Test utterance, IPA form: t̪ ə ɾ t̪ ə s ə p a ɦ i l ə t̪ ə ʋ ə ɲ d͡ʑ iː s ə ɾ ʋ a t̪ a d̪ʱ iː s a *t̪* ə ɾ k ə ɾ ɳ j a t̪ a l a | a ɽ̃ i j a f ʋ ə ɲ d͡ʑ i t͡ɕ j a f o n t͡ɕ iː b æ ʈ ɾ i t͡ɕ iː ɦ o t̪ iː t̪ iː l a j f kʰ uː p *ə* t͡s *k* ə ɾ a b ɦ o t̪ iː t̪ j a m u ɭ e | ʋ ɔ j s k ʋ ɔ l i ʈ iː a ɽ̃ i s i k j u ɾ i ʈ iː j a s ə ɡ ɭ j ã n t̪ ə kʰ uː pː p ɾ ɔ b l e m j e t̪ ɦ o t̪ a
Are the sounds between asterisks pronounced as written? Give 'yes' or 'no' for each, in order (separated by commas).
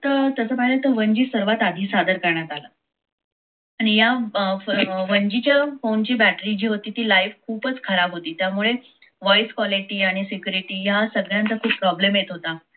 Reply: no, yes, no